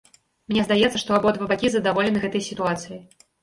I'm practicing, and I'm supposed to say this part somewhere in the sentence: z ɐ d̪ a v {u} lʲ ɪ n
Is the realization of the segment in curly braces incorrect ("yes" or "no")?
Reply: yes